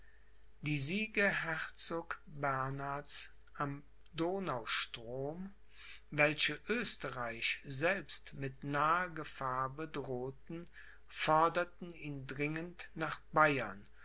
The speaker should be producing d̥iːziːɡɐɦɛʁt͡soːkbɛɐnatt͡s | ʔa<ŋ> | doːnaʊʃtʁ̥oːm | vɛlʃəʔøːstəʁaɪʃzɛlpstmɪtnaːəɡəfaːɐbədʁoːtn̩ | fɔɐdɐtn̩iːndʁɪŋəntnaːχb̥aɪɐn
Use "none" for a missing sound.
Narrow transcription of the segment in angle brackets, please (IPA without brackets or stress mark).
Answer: m